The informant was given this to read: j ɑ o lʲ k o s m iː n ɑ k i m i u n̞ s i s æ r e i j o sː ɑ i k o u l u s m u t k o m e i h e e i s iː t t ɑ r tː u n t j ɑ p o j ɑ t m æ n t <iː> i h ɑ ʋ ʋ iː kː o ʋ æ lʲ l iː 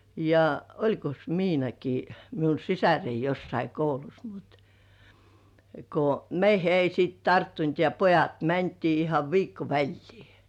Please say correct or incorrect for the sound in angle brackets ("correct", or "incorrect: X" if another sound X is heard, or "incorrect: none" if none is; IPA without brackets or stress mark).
correct